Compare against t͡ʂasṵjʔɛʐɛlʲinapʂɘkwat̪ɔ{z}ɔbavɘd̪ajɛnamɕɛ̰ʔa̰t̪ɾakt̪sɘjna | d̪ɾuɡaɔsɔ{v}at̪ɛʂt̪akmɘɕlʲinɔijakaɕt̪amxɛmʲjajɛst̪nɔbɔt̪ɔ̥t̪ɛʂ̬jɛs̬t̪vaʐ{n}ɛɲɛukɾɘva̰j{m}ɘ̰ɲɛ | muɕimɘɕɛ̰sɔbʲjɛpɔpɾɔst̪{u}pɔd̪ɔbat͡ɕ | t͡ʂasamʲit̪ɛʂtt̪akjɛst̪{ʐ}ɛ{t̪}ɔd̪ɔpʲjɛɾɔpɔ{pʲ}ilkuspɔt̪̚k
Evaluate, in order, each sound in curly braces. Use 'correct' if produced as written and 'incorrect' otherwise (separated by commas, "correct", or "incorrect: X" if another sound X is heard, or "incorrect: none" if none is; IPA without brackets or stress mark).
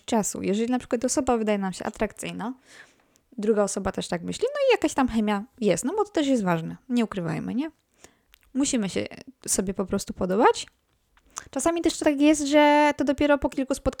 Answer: incorrect: s, incorrect: b, correct, correct, correct, correct, correct, incorrect: kʲ